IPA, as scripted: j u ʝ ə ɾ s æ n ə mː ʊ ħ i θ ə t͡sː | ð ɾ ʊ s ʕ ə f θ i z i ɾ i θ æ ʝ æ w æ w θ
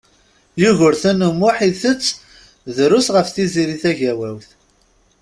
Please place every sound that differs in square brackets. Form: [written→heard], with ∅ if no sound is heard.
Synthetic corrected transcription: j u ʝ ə ɾ [s→θ] æ n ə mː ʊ ħ i θ ə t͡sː | ð ɾ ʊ s [ʕ→ʁ] ə f θ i z i ɾ i θ æ ʝ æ w æ w θ